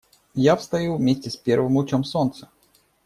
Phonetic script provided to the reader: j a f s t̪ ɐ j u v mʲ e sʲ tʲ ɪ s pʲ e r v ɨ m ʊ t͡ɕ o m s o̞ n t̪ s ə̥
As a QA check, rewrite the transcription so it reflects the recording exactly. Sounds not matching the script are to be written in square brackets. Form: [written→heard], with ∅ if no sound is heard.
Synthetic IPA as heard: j a f s t̪ ɐ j u v mʲ e sʲ tʲ ɪ s pʲ e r v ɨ m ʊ t͡ɕ o m s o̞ n t̪ s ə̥